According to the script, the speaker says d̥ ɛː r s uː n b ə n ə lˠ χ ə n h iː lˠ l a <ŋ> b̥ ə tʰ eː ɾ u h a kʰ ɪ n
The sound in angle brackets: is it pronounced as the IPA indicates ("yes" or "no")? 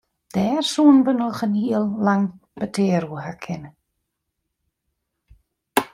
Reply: yes